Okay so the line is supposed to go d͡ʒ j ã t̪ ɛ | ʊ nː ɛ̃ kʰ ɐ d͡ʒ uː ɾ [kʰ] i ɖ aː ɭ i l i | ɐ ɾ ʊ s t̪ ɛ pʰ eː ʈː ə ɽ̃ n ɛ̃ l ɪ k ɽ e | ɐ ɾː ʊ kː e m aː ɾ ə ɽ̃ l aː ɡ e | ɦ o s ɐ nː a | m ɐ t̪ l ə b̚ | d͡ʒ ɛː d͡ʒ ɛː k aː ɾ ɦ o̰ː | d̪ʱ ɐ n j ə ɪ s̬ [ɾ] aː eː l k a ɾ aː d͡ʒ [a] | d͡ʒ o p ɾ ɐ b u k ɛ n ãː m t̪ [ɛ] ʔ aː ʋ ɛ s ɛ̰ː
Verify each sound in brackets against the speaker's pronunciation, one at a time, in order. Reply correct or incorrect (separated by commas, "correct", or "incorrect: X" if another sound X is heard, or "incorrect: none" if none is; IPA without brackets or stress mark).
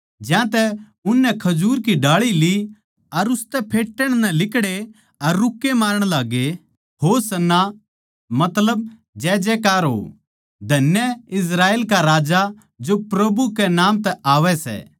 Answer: incorrect: k, correct, correct, correct